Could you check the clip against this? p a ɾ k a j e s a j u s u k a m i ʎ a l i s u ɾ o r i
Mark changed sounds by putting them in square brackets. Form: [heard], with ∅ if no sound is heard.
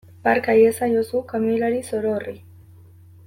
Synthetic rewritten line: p a ɾ k a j e s a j [o] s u k a m i [l] a [ɾ] i s [o] ɾ o r i